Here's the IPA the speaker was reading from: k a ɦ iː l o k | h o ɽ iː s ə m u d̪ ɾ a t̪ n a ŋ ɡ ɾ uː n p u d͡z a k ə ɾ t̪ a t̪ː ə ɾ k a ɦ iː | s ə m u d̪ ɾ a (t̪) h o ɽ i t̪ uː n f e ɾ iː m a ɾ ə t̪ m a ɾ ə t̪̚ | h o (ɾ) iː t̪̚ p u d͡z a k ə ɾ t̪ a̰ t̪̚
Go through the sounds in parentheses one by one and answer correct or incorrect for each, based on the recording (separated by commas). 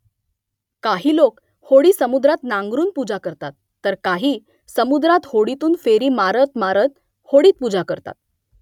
correct, incorrect